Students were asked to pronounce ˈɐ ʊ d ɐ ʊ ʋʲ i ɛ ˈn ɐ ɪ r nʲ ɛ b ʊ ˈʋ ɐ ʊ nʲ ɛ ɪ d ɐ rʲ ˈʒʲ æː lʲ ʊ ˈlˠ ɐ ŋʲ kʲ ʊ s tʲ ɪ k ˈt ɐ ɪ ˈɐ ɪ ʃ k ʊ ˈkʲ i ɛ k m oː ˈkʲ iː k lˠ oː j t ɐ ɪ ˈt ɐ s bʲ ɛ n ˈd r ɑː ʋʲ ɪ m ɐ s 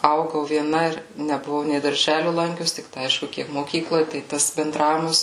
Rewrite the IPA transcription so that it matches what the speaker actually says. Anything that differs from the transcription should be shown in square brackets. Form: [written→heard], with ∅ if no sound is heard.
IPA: ˈɐ ʊ [d→ɡ] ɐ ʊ ʋʲ i ɛ ˈn ɐ ɪ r nʲ ɛ b ʊ ˈʋ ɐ ʊ nʲ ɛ ɪ d ɐ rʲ ˈʒʲ æː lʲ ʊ ˈlˠ ɐ ŋʲ kʲ ʊ s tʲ ɪ k ˈt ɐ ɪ ˈɐ ɪ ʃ k ʊ ˈkʲ i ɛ k m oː ˈkʲ iː k lˠ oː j t ɐ ɪ ˈt ɐ s bʲ ɛ n ˈd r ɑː ʋʲ ɪ m ɐ s